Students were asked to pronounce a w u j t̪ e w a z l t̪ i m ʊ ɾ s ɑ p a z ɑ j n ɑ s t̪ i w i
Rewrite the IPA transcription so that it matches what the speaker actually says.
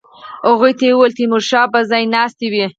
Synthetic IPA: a ɣ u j t̪ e w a l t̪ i m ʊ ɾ ʃ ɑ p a z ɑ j n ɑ s t̪ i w i